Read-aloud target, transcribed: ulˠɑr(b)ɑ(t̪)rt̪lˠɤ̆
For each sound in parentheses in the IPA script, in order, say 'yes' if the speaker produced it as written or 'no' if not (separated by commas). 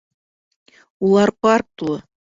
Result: no, no